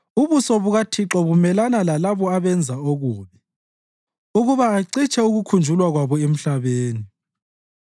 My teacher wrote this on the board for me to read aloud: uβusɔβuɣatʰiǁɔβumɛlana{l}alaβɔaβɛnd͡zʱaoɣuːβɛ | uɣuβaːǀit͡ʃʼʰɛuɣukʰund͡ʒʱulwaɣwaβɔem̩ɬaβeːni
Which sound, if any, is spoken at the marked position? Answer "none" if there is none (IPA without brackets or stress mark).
l